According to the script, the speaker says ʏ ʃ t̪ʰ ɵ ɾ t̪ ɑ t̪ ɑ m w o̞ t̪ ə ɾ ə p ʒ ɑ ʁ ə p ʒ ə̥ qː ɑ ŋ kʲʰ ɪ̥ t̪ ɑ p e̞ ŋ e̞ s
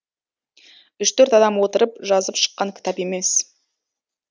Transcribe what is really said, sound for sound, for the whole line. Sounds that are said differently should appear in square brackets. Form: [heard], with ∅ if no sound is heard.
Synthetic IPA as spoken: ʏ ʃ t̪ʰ ɵ ɾ t̪ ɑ [d̪] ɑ m w o̞ t̪ ə ɾ ə p ʒ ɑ [z] ə p [ʃ] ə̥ qː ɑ ŋ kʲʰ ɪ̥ t̪ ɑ p e̞ [m] e̞ s